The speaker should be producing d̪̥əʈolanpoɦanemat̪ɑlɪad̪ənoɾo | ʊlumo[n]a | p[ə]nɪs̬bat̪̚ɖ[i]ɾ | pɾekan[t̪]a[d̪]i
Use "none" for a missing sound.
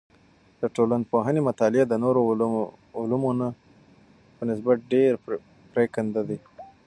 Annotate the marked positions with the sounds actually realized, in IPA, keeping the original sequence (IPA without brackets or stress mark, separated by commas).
n, ə, e, d̪, d̪